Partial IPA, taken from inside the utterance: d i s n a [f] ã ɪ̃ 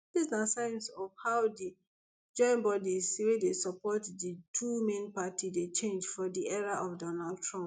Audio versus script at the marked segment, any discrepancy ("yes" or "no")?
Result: yes